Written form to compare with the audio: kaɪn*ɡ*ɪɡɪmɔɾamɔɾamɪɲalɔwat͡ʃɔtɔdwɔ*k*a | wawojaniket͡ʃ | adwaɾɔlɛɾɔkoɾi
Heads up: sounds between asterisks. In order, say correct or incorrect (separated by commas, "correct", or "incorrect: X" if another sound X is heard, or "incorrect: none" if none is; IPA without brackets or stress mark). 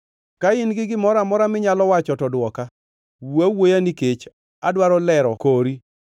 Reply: correct, correct